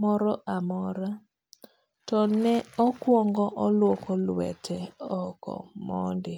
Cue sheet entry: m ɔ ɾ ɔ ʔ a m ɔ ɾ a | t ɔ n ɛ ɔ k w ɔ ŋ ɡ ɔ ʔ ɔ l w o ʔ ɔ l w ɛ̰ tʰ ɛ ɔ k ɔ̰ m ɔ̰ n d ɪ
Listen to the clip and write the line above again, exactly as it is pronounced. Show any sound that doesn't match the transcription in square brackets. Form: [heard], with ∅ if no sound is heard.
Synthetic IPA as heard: m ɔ ɾ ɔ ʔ a m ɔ ɾ a | t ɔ n ɛ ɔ k w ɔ ŋ ɡ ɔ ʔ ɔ l w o [k] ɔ l w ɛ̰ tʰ ɛ ɔ k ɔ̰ m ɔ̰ n d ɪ